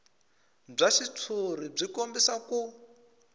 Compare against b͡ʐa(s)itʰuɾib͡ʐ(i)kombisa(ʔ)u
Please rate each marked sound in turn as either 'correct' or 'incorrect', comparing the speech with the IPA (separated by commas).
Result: incorrect, correct, incorrect